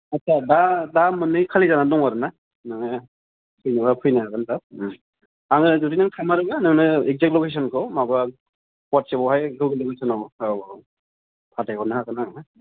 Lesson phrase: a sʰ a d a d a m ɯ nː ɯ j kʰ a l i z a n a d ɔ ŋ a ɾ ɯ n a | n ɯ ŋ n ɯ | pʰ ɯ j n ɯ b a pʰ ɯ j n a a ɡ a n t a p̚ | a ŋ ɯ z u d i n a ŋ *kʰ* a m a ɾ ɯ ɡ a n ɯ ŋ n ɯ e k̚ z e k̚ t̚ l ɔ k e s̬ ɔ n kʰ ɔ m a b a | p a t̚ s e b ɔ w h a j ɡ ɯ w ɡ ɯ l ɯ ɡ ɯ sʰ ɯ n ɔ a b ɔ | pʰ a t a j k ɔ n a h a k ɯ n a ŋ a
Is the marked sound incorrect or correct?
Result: incorrect: tʰ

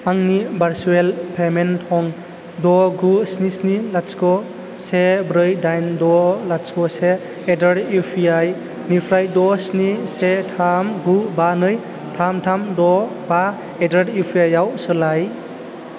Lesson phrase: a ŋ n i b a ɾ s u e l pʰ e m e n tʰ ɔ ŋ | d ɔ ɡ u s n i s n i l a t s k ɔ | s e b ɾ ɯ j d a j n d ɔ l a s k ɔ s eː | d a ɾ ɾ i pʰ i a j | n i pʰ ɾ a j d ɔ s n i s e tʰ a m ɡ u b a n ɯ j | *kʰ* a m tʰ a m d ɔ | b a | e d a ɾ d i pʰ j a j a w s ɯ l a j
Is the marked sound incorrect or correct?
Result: incorrect: tʰ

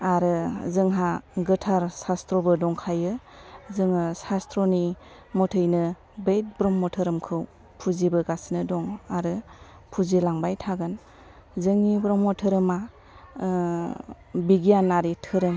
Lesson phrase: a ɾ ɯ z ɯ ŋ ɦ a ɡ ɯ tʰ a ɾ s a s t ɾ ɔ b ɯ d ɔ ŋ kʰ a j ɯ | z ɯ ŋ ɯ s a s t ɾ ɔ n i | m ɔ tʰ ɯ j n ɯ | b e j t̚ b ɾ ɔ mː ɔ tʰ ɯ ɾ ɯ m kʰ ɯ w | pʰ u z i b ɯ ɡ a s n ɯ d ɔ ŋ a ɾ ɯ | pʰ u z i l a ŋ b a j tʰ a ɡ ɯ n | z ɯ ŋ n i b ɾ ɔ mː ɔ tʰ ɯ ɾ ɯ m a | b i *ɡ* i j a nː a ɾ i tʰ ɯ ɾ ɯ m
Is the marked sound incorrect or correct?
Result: correct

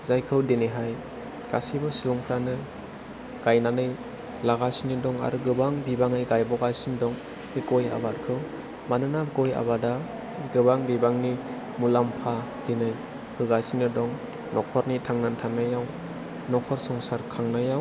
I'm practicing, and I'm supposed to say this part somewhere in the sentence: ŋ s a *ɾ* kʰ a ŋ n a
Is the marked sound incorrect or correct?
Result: correct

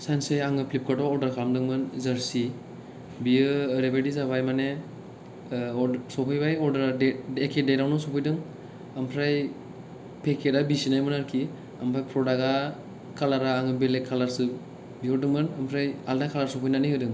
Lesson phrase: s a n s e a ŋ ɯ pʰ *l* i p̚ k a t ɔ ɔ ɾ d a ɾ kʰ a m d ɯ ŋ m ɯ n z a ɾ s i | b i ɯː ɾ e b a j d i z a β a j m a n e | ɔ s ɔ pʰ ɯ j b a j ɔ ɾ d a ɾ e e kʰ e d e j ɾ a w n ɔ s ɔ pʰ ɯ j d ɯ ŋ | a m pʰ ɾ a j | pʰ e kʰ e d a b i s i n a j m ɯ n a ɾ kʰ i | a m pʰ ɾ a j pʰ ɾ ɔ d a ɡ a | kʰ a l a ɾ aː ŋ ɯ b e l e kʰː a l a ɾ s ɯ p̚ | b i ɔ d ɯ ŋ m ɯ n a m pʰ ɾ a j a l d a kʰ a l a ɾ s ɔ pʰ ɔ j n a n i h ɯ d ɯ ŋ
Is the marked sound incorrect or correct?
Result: correct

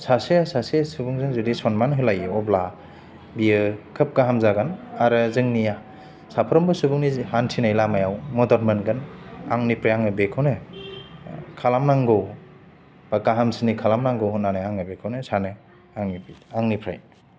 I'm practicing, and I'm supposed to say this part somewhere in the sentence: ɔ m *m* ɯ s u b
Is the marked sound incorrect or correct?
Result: incorrect: b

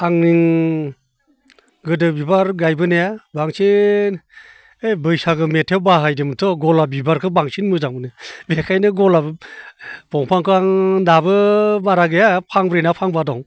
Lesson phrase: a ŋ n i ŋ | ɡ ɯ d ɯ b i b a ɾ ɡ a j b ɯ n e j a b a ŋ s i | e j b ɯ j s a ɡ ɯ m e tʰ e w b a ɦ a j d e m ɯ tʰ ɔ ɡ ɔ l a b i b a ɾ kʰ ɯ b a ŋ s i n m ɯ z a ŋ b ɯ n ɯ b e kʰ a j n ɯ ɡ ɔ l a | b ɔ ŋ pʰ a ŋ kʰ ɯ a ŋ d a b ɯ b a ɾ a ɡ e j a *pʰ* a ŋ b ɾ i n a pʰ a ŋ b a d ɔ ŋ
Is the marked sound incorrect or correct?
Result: correct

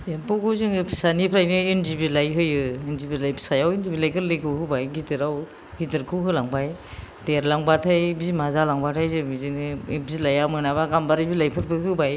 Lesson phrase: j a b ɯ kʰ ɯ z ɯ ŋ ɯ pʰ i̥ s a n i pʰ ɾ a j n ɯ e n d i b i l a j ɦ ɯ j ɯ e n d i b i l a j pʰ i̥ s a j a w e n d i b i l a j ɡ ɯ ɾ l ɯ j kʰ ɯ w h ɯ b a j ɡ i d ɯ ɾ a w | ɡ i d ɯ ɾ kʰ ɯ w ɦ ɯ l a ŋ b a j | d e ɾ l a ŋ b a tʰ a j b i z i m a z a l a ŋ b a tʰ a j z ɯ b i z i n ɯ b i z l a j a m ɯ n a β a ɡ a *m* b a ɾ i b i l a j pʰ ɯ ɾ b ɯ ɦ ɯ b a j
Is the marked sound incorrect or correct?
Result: correct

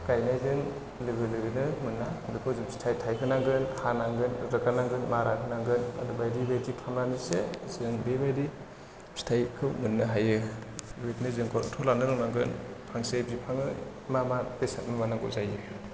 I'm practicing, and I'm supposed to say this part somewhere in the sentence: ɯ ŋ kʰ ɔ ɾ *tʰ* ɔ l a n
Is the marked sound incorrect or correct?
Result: correct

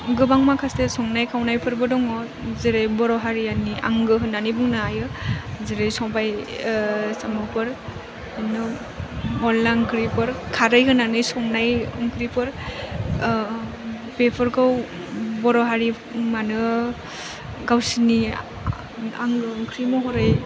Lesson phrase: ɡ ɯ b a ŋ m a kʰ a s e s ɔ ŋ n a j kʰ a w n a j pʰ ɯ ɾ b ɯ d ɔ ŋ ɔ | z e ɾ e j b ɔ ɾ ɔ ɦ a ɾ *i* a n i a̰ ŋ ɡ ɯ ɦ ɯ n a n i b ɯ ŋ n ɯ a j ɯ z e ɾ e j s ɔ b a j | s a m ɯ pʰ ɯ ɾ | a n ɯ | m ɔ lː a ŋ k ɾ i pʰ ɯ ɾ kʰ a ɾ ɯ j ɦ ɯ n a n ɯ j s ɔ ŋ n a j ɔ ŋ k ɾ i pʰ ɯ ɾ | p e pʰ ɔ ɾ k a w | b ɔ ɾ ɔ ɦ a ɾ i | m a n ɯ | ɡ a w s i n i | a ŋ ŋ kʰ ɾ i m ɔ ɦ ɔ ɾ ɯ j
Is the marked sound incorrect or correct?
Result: correct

